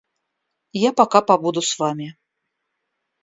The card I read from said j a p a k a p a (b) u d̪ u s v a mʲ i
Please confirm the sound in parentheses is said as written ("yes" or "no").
yes